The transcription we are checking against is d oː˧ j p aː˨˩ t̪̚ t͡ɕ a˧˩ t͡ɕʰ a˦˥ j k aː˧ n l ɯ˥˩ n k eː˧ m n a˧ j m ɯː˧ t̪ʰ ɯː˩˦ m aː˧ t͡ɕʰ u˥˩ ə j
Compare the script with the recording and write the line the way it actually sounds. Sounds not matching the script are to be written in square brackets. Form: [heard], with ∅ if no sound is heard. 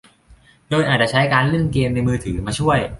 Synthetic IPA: d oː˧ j [ʔ] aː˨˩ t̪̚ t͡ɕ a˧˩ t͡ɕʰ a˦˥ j k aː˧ n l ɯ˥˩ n k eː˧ m n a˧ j m ɯː˧ t̪ʰ ɯː˩˦ m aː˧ t͡ɕʰ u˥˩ ə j